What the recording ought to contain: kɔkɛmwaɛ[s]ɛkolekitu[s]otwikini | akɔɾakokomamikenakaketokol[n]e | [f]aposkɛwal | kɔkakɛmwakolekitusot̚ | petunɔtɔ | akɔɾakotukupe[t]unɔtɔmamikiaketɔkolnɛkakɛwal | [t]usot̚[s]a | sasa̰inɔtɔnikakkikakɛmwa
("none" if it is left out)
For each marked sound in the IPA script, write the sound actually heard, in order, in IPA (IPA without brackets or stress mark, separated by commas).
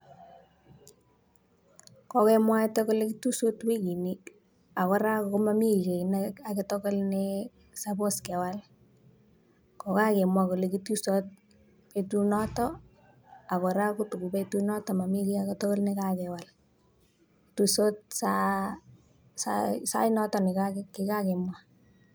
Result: t, s, n, s, t, t, s